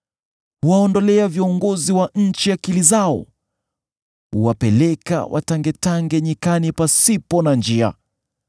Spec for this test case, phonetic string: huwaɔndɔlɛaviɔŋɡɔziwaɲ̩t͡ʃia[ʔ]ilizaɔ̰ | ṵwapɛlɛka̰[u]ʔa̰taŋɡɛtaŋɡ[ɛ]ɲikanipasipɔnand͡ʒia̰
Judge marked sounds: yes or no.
no, no, yes

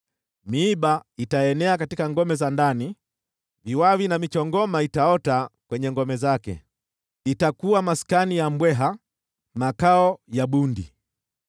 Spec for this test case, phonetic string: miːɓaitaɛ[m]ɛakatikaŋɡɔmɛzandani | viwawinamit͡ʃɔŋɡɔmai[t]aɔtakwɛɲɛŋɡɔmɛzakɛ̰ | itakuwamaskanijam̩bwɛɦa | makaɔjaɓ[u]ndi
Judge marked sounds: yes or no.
no, yes, yes

